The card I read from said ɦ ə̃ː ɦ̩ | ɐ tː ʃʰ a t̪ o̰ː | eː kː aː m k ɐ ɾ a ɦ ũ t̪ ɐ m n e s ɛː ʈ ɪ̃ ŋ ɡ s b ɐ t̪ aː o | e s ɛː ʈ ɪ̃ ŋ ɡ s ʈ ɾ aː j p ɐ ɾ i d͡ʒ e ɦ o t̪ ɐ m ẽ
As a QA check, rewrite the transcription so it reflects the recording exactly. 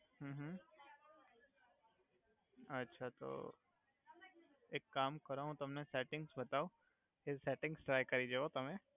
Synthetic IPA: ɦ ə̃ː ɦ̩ | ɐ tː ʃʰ a t̪ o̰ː | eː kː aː m k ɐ ɾ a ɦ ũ t̪ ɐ m n e s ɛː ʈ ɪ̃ ŋ ɡ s b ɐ t̪ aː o | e s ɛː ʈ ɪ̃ ŋ ɡ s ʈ ɾ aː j k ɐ ɾ i d͡ʒ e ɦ o t̪ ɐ m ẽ